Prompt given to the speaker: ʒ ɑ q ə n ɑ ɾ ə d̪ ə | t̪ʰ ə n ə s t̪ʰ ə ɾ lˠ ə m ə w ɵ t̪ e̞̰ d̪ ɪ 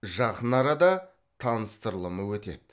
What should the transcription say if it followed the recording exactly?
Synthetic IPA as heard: ʒ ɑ q ə n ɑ ɾ ɑ d̪ ɑ | t̪ʰ ɑ n ə s t̪ ə ɾ lˠ ə m ə w ɵ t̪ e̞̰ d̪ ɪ